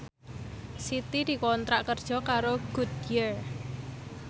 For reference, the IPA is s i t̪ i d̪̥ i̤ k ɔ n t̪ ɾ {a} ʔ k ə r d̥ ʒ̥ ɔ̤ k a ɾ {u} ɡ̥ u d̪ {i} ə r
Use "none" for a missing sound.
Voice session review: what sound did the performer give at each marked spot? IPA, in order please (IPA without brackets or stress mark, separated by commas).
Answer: a, o, j